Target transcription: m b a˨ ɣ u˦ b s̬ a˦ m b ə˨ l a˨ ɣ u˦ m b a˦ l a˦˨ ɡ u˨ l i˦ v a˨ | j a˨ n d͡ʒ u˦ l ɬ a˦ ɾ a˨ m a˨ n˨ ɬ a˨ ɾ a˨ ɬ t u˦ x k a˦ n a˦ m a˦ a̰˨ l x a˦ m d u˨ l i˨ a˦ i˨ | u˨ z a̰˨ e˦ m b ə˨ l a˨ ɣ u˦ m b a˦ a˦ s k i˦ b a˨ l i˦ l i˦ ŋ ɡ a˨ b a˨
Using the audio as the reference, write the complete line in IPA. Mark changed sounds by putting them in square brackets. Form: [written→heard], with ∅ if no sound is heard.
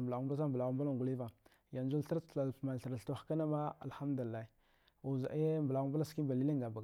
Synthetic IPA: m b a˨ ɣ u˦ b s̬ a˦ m b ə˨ l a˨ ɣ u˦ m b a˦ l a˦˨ ɡ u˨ l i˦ v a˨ | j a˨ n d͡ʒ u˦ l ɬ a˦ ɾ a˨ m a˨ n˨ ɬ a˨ ɾ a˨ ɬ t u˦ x k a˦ n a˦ m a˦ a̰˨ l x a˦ m d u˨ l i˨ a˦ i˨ | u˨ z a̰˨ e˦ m b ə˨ l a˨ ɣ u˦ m b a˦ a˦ s k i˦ b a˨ l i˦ l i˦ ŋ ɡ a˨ b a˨